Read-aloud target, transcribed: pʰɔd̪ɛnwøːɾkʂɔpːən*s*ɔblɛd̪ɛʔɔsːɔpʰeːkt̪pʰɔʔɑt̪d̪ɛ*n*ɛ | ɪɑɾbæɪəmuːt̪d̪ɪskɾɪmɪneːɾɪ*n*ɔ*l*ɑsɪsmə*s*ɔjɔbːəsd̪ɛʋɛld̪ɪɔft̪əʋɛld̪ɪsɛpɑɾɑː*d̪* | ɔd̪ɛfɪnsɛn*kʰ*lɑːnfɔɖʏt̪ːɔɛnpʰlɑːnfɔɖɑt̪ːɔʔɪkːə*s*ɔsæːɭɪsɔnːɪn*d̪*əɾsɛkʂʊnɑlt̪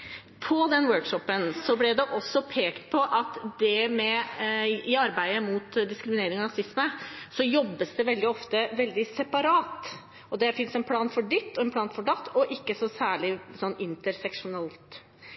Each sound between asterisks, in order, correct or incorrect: correct, incorrect: m, incorrect: ŋ, incorrect: ɾ, correct, incorrect: t̪, incorrect: pʰ, correct, incorrect: t̪

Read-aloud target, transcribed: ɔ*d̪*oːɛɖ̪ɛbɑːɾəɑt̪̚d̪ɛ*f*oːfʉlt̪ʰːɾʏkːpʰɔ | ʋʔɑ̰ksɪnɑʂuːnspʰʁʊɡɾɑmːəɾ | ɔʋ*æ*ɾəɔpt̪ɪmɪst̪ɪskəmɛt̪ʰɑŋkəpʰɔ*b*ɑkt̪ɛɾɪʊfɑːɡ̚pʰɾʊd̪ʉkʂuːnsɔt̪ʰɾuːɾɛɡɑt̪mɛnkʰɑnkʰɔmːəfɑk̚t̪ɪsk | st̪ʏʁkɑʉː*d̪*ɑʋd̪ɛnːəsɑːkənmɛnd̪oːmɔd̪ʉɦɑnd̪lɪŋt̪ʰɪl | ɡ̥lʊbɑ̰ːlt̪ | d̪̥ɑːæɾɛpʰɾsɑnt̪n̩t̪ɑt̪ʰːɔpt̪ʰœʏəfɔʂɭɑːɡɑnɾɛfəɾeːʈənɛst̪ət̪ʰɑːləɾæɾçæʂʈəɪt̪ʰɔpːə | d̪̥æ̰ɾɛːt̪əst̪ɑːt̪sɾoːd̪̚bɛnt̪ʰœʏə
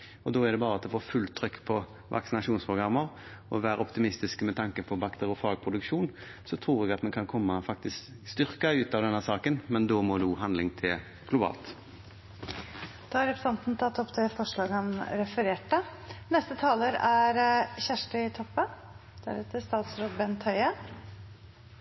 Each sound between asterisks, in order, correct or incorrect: correct, correct, incorrect: æː, correct, incorrect: t̪

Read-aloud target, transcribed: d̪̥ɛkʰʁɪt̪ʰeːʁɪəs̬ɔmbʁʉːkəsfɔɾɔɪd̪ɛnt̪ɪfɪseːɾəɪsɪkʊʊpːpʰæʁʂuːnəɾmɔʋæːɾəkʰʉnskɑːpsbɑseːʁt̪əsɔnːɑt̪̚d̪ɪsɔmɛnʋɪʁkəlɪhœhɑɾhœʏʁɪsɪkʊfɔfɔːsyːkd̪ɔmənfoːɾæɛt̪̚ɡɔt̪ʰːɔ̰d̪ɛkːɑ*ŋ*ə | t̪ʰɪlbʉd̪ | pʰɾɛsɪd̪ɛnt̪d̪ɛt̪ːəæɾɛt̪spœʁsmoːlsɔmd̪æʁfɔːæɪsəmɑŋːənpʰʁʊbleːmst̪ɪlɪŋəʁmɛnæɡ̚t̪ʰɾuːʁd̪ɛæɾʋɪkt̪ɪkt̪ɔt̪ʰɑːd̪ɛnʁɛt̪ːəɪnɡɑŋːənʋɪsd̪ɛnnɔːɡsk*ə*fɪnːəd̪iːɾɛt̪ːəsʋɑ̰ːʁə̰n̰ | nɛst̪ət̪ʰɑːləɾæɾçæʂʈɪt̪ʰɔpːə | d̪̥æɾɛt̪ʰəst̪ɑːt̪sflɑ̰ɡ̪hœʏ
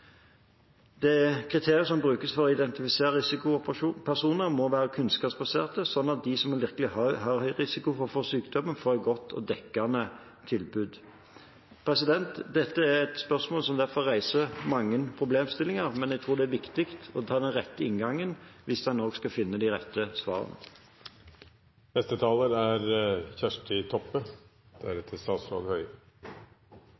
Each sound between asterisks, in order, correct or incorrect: incorrect: n, incorrect: ɑ

